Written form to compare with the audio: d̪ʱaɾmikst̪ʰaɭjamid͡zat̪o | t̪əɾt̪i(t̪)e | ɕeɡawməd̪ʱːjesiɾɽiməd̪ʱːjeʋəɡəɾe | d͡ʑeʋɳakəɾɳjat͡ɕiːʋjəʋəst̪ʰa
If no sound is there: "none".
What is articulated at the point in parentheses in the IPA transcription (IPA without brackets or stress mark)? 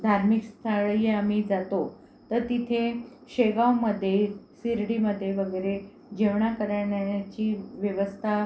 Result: t̪ʰ